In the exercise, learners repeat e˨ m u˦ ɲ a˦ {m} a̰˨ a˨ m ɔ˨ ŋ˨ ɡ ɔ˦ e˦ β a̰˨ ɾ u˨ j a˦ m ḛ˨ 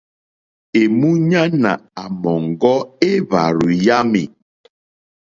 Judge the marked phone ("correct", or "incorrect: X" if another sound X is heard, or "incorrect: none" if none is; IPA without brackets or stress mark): incorrect: n